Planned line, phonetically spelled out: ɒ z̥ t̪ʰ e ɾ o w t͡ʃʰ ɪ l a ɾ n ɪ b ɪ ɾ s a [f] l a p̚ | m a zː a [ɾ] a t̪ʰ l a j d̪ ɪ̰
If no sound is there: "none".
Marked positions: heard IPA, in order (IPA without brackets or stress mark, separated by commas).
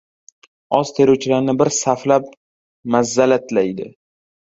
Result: f, l